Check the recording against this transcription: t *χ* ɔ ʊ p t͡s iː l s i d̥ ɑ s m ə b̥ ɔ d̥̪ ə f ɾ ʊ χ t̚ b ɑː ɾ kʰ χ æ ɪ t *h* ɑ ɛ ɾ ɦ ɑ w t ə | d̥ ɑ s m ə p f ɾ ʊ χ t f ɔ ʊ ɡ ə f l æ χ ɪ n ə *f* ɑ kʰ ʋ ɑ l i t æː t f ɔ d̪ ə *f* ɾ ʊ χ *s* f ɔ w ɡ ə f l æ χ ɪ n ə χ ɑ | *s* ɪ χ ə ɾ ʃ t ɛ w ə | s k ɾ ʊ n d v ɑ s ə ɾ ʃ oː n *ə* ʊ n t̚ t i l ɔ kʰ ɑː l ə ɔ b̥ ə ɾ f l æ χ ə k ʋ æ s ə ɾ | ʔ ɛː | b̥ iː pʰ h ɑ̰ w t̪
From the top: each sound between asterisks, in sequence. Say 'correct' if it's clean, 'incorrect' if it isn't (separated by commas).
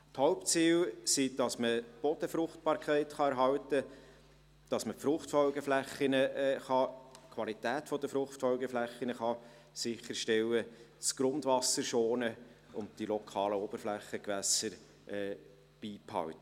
incorrect, incorrect, incorrect, correct, incorrect, correct, correct